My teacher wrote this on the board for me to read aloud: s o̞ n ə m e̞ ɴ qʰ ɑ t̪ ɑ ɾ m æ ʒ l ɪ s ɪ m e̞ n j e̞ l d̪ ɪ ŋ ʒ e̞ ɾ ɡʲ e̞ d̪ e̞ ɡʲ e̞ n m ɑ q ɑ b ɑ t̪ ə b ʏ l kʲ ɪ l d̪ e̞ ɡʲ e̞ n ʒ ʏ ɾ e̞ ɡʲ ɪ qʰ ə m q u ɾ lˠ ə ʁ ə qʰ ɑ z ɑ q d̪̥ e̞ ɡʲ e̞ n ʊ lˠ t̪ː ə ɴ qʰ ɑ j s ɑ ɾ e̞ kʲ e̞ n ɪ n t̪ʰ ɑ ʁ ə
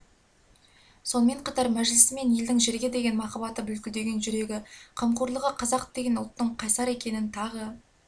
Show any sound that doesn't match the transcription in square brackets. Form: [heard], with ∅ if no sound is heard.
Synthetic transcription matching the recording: s o̞ n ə m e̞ ɴ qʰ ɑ t̪ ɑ ɾ m æ ʒ l ɪ s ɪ m e̞ n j e̞ l d̪ ɪ ŋ ʒ e̞ ɾ ɡʲ e̞ d̪ e̞ ɡʲ e̞ n m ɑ q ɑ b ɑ t̪ ə b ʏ l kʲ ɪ l d̪ e̞ ɡʲ e̞ n ʒ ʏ ɾ e̞ ɡʲ ɪ qʰ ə m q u ɾ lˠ ə ʁ ə qʰ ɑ z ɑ q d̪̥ e̞ ɡʲ e̞ n ʊ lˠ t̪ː ə ɴ qʰ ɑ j s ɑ ɾ e̞ kʲ e̞ n ɪ n t̪ʰ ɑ ʁ ə